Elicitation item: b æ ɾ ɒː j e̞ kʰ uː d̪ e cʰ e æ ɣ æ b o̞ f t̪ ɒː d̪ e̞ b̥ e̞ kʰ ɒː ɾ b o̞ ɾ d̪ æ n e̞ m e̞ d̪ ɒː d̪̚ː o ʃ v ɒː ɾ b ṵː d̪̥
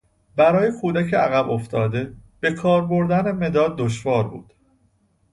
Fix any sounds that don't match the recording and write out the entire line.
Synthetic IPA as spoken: b æ ɾ ɒː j e̞ kʰ uː d̪ æ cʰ e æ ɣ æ b o̞ f t̪ ɒː d̪ e̞ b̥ e̞ kʰ ɒː ɾ b o̞ ɾ d̪ æ n e̞ m e̞ d̪ ɒː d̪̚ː o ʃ v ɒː ɾ b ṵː d̪̥